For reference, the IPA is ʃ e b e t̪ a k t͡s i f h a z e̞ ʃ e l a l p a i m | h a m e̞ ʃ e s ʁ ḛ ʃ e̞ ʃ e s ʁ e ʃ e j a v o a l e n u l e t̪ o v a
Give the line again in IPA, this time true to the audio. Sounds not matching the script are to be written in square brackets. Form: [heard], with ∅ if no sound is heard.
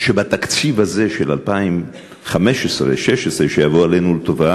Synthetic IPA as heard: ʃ e b [a] t̪ a k t͡s i [v] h a z e̞ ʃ e l a l p a i m | [χ] a m e̞ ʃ e s ʁ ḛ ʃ e̞ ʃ e s ʁ e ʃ e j a v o a l e n u l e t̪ o v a